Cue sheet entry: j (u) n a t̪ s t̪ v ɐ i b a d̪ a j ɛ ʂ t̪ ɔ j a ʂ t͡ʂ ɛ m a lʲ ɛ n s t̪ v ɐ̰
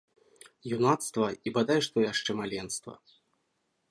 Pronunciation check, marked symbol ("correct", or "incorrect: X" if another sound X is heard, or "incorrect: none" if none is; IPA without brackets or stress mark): correct